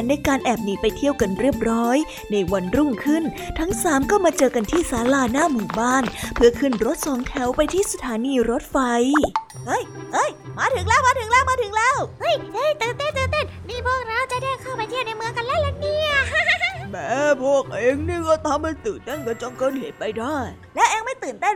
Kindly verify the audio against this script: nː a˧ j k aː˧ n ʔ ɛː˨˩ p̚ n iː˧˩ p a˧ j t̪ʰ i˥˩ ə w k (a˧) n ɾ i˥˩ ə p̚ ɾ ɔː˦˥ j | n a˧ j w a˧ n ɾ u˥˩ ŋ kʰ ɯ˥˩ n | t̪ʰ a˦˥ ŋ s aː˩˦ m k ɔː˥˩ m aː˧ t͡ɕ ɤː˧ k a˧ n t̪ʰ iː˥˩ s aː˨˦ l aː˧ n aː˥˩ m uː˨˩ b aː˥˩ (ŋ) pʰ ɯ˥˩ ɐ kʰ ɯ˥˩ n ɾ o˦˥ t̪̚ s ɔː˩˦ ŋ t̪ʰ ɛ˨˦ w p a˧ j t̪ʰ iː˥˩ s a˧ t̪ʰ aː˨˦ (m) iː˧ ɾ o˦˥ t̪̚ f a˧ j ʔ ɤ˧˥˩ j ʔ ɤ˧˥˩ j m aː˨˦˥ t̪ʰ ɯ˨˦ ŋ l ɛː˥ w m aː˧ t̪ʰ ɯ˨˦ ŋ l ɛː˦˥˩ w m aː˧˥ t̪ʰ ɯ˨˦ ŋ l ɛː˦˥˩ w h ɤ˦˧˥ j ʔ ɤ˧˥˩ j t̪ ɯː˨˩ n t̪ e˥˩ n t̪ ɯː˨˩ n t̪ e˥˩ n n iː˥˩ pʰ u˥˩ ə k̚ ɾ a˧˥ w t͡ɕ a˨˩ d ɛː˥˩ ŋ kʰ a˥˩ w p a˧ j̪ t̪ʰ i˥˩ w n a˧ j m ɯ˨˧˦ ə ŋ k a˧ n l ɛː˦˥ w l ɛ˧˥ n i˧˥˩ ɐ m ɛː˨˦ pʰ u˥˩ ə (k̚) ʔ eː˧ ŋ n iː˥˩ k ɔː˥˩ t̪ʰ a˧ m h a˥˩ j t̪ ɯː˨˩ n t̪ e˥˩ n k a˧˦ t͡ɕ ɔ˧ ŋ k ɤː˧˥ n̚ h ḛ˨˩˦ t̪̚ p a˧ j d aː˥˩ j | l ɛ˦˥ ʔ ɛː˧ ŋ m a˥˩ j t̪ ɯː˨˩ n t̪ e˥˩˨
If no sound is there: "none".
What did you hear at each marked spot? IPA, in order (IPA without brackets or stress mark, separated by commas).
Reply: a˧, n, n, k̚